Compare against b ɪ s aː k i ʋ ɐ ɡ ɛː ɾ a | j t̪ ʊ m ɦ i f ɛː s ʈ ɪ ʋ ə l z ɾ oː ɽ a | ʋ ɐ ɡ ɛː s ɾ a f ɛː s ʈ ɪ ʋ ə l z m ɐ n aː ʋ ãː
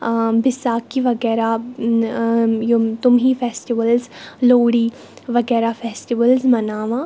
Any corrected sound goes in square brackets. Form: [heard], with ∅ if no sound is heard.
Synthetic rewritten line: b ɪ s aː k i ʋ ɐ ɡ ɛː ɾ a | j t̪ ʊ m ɦ i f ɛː s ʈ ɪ ʋ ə l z [l] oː ɽ [i] | ʋ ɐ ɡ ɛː [∅] ɾ a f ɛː s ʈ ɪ ʋ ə l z m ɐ n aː ʋ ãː